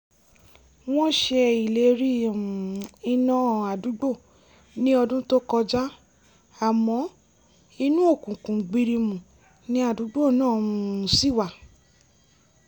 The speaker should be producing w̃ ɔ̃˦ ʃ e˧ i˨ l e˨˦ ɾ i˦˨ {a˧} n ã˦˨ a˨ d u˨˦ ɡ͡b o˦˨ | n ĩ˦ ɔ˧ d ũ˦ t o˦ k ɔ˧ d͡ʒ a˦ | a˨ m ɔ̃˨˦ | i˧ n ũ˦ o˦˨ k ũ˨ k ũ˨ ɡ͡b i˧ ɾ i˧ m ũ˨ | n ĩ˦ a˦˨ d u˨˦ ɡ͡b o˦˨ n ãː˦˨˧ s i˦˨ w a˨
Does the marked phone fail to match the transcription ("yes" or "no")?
yes